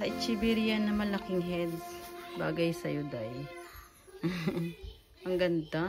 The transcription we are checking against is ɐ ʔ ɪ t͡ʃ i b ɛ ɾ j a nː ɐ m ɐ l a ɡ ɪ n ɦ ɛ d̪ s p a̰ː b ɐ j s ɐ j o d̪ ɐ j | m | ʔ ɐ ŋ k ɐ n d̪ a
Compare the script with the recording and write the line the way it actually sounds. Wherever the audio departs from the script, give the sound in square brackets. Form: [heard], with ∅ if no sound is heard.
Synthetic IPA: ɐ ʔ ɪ t͡ʃ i b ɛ ɾ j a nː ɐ m ɐ l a [k] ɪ [ŋ] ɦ ɛ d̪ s [b] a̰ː [ɡ] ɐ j s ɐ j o d̪ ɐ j | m | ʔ ɐ ŋ [ɡ] ɐ n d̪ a